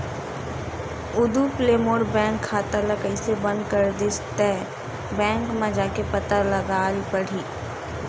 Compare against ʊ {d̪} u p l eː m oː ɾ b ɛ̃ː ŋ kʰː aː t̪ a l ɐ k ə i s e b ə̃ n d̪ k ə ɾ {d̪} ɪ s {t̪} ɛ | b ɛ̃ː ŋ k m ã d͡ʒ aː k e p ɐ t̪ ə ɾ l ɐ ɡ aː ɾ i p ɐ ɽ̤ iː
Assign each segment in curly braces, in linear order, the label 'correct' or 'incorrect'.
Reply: correct, correct, correct

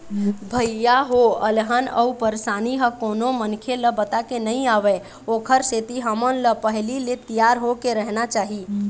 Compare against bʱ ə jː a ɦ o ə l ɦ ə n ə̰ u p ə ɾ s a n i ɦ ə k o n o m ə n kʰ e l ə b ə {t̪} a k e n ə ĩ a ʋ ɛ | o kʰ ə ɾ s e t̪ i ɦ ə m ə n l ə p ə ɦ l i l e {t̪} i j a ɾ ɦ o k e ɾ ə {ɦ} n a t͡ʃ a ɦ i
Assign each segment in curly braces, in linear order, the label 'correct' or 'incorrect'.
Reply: correct, correct, correct

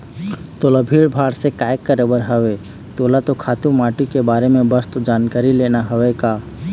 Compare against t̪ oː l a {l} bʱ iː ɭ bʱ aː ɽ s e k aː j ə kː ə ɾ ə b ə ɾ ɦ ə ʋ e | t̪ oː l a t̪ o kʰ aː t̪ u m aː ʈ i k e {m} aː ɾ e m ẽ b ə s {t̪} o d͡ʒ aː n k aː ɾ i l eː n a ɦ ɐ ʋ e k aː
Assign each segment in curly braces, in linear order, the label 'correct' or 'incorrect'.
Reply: incorrect: none, incorrect: b, correct

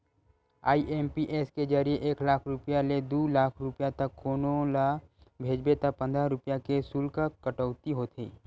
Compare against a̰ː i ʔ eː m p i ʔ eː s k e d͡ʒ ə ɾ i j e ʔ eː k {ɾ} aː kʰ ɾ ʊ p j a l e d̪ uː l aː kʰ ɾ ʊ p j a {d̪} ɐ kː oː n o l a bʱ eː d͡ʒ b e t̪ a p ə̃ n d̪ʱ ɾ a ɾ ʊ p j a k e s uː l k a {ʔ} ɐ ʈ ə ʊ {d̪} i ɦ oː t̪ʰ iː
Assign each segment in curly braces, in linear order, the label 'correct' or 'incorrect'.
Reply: incorrect: l, incorrect: t̪, incorrect: k, incorrect: t̪

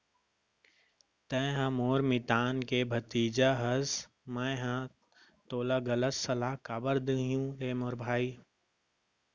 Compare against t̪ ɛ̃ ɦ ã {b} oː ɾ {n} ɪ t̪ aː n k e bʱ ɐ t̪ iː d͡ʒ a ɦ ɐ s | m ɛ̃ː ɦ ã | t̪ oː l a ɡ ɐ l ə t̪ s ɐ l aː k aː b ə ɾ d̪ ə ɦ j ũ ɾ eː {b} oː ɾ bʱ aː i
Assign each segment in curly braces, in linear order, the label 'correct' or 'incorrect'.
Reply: incorrect: m, incorrect: m, incorrect: m

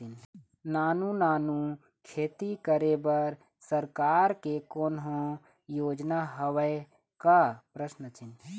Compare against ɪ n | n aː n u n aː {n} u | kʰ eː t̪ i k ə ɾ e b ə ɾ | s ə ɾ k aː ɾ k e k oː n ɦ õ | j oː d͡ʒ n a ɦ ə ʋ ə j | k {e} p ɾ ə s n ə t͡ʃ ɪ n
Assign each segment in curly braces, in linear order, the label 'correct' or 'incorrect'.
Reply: correct, incorrect: a

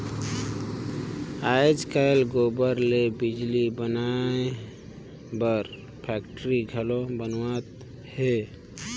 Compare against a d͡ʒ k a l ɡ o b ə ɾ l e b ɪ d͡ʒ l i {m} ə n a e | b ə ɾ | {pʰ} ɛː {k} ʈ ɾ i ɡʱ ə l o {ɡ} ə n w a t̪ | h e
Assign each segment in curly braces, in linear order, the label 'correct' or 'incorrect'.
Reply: incorrect: b, correct, correct, incorrect: b

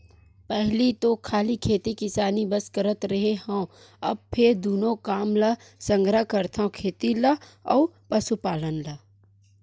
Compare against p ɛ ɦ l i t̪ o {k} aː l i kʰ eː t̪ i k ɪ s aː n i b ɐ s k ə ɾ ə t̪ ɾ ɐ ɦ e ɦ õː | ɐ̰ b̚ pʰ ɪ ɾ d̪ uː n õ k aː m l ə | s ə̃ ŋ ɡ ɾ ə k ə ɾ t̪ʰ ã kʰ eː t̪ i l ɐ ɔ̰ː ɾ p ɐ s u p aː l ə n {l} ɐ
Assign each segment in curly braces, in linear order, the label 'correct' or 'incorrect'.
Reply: incorrect: kʰ, correct

